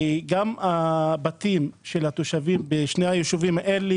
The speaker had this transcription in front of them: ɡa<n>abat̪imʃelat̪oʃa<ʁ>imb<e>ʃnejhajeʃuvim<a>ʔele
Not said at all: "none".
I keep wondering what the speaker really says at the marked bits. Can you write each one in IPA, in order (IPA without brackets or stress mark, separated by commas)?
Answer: m, v, e, a